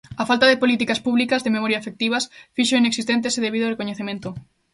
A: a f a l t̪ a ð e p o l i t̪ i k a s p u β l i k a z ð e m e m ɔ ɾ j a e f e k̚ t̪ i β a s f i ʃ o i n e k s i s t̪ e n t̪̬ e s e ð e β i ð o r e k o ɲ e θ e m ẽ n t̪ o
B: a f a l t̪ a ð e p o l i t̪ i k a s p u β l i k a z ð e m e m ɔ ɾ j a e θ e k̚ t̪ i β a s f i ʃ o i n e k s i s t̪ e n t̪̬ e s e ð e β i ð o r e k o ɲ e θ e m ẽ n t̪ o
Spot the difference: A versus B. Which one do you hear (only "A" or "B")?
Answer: A